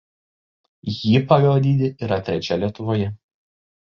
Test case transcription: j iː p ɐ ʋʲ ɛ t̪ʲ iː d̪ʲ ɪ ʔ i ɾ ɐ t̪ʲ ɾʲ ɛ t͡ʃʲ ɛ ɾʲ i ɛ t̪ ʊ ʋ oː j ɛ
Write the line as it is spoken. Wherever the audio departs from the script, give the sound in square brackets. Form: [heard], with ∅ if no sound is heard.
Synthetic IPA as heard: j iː p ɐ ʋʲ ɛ [d̪ʲ] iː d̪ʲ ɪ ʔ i ɾ ɐ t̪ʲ ɾʲ ɛ t͡ʃʲ ɛ [lʲ] i ɛ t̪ ʊ ʋ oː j ɛ